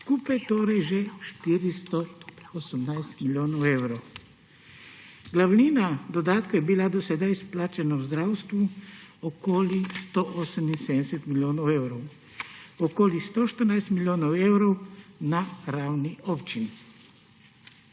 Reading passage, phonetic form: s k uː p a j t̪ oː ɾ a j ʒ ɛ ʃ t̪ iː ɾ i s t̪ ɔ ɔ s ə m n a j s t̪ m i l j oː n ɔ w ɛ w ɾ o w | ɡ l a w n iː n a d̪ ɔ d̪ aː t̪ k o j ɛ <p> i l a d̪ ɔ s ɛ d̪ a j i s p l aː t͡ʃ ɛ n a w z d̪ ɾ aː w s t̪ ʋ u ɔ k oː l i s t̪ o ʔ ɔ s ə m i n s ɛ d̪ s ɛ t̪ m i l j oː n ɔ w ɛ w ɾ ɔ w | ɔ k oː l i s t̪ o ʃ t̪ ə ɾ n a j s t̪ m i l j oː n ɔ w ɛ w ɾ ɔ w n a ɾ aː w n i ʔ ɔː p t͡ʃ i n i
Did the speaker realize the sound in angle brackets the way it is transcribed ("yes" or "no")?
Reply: no